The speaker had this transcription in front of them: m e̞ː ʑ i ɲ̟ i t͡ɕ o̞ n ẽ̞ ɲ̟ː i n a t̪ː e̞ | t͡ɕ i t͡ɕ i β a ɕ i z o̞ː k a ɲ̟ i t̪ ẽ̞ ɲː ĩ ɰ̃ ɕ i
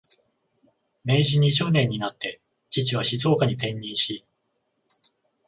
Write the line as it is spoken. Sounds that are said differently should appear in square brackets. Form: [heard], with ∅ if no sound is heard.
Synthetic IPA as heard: m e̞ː ʑ i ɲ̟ i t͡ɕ o̞ n ẽ̞ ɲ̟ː i n a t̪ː e̞ | t͡ɕ i t͡ɕ i β a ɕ i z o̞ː k a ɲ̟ i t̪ ẽ̞ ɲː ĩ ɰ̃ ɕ i